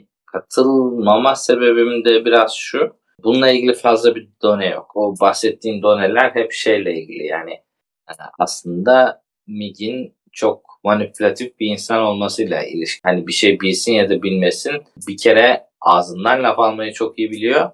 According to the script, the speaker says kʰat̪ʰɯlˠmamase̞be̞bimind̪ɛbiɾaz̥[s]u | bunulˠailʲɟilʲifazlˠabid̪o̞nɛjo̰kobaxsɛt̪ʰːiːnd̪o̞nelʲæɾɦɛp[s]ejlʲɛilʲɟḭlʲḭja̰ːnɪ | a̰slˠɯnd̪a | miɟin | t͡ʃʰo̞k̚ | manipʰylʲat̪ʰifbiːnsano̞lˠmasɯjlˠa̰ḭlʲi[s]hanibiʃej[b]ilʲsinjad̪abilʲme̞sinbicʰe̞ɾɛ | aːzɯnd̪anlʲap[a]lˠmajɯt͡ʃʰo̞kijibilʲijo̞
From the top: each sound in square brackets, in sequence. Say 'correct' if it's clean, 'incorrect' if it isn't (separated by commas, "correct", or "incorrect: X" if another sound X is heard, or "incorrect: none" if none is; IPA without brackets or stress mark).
incorrect: ʃ, incorrect: ʃ, incorrect: ʃ, correct, correct